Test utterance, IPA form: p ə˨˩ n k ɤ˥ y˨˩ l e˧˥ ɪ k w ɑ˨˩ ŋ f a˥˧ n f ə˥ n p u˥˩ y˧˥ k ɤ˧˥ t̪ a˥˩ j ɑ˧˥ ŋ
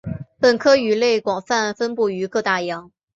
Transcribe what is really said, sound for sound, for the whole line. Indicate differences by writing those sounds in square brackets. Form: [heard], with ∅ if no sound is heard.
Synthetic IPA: p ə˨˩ n [kʰ] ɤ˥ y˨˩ l [e˥˩] ɪ k w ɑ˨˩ ŋ f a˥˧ n f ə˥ n p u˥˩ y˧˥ k [ɤ˥˧] t̪ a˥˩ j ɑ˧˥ ŋ